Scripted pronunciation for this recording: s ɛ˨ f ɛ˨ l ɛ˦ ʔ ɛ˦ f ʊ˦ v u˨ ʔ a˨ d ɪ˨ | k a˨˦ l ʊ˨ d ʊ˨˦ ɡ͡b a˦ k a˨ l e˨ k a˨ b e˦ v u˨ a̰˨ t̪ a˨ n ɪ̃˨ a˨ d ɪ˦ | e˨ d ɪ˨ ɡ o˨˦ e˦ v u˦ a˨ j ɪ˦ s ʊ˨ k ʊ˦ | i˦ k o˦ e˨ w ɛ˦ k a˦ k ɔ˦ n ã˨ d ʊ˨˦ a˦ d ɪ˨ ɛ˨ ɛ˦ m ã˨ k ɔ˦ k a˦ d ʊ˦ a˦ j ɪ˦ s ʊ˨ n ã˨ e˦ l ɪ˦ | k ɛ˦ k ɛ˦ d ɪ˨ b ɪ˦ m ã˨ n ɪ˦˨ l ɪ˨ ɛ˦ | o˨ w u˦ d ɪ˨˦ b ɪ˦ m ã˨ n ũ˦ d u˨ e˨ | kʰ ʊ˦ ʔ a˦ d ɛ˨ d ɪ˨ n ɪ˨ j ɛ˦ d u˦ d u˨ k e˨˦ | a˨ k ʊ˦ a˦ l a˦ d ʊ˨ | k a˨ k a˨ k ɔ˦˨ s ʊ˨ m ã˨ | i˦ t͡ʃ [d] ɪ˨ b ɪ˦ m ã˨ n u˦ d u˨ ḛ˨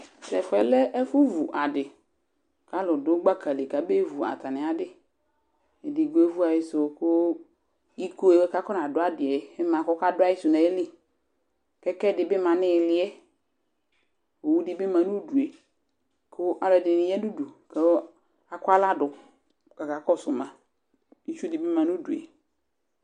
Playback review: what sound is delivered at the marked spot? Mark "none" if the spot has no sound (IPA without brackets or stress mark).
d